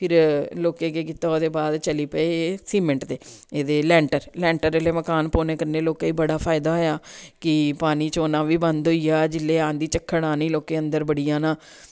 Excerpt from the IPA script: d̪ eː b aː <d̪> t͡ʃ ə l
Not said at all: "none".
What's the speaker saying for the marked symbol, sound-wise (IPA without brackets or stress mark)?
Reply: d̪